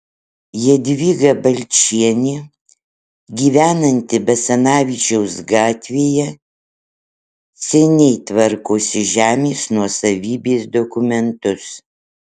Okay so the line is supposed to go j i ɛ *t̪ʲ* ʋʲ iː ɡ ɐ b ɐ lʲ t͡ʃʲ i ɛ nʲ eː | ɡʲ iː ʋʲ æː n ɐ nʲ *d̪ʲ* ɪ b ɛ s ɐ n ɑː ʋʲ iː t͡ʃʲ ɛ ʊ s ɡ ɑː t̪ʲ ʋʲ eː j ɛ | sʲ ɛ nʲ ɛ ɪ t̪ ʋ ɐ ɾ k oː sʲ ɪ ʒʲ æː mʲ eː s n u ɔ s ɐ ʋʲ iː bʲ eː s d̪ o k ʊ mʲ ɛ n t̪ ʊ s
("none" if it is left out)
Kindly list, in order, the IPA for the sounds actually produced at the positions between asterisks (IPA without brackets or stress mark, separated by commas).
d̪ʲ, t̪ʲ